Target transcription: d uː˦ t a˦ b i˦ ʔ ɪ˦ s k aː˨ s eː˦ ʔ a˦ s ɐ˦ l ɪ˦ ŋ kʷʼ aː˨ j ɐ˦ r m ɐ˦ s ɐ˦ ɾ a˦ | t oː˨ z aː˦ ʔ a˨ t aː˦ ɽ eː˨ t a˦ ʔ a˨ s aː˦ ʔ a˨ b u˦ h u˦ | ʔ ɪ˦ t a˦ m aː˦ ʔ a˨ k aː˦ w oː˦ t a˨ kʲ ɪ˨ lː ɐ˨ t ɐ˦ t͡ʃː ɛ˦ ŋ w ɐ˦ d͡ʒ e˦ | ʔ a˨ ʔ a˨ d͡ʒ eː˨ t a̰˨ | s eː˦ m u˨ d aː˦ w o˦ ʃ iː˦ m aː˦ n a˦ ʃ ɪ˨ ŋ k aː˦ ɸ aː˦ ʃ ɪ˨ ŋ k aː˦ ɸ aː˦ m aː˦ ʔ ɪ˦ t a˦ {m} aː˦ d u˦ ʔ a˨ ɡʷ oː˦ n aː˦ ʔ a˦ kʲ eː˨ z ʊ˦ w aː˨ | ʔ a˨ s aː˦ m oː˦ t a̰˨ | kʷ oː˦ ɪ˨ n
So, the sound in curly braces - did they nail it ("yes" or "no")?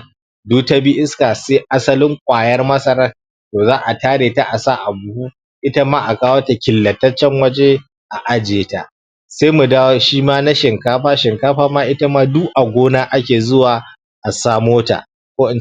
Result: yes